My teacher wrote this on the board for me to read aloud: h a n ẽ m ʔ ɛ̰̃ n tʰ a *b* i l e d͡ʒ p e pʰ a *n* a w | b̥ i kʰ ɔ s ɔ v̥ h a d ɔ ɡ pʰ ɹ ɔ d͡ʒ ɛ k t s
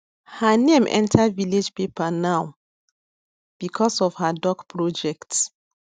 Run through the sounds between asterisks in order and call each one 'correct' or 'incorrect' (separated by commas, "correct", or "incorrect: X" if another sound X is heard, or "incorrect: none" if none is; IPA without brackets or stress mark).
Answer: incorrect: v, correct